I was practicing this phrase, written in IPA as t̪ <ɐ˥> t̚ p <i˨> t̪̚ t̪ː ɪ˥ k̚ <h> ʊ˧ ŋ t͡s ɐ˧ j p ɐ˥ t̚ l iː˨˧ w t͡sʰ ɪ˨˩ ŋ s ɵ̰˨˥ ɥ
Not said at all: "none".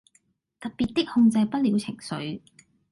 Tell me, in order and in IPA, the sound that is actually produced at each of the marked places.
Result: ɐ˨, i˨, h

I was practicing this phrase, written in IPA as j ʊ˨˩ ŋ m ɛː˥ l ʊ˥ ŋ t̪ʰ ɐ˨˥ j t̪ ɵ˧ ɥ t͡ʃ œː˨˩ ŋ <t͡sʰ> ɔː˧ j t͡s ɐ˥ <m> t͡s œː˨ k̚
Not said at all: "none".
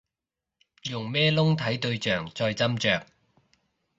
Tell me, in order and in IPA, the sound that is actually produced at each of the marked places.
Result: t͡s, m

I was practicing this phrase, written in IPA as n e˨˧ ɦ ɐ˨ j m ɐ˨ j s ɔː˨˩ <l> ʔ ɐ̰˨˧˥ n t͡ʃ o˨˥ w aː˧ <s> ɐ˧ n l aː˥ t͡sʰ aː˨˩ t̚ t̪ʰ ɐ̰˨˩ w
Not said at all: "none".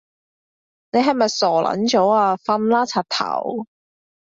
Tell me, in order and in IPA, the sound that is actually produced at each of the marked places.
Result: l, f

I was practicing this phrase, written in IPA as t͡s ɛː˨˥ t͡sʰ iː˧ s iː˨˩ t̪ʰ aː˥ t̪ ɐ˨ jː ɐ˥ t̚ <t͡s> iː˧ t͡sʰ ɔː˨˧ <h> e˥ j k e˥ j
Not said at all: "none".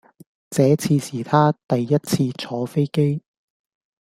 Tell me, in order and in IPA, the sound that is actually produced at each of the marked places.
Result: t͡sʰ, f

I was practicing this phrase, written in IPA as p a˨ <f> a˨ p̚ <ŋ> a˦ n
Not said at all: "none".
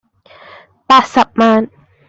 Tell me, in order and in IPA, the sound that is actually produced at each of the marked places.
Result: s, m

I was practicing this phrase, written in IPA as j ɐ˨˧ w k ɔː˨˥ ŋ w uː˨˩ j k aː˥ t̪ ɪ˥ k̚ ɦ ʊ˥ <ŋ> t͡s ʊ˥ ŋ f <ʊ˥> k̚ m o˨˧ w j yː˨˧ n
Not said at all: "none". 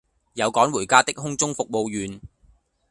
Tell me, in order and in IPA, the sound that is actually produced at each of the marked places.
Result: ŋ, ʊ˨

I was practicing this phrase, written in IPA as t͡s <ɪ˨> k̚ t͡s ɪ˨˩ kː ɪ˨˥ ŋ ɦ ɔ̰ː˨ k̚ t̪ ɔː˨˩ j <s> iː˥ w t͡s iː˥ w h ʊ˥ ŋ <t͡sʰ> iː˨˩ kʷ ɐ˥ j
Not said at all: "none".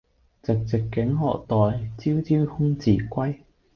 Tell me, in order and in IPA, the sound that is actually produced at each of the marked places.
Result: ɪ˨, t͡s, t͡s

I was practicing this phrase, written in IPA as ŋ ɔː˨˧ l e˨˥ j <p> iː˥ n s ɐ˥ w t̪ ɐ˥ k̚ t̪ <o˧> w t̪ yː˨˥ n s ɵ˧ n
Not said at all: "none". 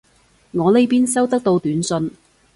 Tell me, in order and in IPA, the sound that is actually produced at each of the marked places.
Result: p, o˧

